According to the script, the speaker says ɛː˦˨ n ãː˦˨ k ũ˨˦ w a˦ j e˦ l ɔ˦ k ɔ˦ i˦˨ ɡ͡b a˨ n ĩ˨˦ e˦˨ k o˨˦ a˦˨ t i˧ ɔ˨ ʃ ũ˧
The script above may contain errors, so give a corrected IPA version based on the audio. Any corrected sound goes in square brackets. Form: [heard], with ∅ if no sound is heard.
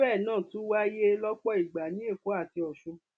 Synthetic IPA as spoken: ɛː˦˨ n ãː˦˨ [t] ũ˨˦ w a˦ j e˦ l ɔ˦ [k͡p] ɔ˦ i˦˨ ɡ͡b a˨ n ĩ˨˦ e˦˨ k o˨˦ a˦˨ t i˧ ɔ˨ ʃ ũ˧